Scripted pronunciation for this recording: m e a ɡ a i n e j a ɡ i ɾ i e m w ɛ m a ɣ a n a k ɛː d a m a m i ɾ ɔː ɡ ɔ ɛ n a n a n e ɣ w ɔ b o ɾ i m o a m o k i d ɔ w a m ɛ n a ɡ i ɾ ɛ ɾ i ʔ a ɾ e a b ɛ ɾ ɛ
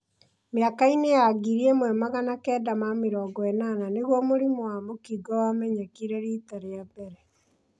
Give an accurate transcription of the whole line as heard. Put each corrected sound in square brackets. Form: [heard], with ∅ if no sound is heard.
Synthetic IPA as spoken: m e a [k] a i n e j a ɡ i ɾ i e m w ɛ m a ɣ a n a k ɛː d a m a m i ɾ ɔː ɡ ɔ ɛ n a n a n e ɣ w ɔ [m] o ɾ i m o a m o k i [ɡ] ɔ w a m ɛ [ɲ] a [k] i ɾ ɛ ɾ i [t] a ɾ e a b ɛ ɾ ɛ